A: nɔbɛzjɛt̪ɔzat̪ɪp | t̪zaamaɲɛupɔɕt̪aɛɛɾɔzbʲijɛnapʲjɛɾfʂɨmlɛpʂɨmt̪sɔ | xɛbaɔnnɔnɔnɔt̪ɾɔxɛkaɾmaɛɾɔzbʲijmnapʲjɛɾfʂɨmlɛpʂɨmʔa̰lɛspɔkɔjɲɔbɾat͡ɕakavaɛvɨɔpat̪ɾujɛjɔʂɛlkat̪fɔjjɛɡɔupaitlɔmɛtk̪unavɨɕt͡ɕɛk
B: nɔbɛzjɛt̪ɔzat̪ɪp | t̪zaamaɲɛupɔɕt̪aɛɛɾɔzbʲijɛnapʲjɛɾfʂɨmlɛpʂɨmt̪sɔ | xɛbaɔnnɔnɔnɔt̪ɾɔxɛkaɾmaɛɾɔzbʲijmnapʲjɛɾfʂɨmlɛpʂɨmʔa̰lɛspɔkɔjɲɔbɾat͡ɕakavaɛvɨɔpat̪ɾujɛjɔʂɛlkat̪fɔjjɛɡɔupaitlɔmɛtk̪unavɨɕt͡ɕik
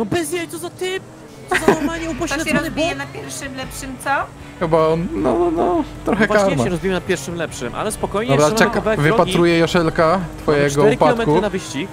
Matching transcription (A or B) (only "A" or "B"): B